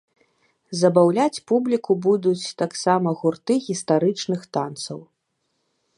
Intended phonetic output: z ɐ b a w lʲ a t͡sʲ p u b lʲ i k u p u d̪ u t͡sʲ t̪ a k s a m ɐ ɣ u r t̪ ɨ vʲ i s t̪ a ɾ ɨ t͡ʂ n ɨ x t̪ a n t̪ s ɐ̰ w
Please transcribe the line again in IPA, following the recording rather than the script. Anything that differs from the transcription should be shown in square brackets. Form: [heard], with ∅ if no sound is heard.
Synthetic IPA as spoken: z ɐ b a w lʲ a t͡sʲ p u b lʲ i k u [b] u d̪ u t͡sʲ t̪ a k s a m ɐ ɣ u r t̪ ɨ [ɣʲ] i s t̪ a ɾ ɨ t͡ʂ n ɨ x t̪ a n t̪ s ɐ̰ w